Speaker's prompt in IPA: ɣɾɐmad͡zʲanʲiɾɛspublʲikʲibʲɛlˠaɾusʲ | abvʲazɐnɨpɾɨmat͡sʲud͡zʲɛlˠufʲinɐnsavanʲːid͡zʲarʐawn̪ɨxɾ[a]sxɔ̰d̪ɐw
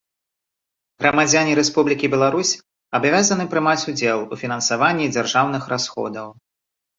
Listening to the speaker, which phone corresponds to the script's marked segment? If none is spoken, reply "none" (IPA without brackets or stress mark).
a